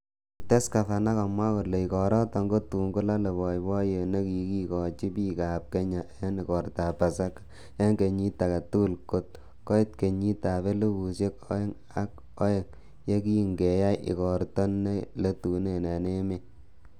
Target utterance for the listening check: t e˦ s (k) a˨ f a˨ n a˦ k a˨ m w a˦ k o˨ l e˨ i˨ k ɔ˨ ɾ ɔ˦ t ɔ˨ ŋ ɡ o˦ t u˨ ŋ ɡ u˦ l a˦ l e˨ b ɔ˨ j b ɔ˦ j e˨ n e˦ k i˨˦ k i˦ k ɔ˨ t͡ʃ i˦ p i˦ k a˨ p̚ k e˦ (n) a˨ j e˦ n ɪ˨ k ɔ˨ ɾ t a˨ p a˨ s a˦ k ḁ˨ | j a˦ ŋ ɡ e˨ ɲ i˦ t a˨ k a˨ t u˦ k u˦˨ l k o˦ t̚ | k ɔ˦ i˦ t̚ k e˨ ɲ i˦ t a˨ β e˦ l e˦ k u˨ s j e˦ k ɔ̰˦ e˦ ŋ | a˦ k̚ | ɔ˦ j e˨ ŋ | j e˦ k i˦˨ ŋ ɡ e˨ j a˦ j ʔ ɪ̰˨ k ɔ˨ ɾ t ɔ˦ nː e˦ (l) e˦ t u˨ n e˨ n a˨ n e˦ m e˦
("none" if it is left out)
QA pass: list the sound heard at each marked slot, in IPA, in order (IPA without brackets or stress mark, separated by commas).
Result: k, ɲ, l